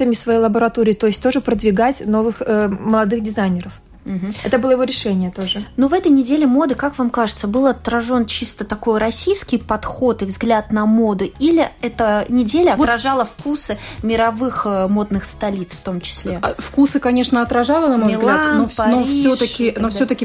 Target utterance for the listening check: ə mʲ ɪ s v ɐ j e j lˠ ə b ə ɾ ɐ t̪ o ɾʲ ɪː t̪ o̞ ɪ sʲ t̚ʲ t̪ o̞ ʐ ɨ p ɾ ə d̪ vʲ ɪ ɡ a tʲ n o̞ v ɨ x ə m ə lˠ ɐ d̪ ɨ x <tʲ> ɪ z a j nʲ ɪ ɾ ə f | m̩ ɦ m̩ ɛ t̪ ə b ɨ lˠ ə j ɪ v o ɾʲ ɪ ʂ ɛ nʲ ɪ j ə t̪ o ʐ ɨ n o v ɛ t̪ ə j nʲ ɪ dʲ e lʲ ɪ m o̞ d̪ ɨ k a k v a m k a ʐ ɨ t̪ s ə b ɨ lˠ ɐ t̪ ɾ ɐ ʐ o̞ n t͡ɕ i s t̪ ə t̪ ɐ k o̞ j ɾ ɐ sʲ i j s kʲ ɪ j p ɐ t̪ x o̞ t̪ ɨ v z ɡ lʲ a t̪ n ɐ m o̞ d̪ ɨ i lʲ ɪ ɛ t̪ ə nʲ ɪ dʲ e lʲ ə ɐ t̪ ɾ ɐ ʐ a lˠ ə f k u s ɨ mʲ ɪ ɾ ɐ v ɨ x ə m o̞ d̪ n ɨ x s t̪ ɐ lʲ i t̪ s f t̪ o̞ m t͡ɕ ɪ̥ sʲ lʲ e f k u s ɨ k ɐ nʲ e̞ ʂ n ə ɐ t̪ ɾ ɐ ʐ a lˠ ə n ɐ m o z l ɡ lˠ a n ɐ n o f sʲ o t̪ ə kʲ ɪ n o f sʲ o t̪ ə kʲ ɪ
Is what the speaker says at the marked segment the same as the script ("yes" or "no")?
no